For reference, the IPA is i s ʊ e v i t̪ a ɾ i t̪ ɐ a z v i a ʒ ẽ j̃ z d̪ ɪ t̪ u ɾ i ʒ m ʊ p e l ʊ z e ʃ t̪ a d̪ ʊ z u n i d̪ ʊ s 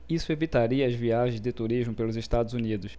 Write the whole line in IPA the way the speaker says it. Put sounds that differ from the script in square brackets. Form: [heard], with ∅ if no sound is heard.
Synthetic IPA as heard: i s ʊ e v i t̪ a ɾ i [∅] ɐ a z v i a ʒ ẽ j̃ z d̪ ɪ t̪ u ɾ i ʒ m ʊ p e l ʊ z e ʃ t̪ a d̪ ʊ z u n i d̪ ʊ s